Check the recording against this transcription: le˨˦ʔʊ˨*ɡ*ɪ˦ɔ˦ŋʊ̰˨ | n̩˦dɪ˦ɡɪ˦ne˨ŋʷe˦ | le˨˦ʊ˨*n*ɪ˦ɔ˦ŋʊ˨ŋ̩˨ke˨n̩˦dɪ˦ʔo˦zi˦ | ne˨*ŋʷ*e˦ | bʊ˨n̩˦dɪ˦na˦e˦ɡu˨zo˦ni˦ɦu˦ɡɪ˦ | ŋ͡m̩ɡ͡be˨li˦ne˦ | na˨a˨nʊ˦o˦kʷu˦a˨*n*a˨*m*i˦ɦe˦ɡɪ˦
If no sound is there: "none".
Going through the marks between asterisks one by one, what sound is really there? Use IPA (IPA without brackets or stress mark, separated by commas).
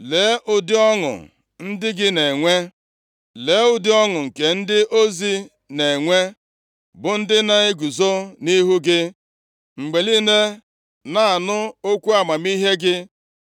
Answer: d, d, ŋʷ, m, m